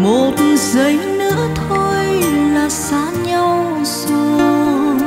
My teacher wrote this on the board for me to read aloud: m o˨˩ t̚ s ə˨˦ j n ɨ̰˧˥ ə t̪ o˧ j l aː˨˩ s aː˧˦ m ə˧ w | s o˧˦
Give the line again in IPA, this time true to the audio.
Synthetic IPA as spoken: m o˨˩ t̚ z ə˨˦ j n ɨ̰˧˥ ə t̪ʰ o˧ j l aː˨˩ s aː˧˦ ɲ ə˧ w | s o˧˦